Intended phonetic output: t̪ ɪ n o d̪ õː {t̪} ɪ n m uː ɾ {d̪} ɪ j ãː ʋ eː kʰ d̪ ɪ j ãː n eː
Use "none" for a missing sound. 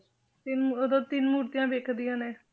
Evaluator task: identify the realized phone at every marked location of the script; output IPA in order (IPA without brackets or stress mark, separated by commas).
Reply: t̪, t̪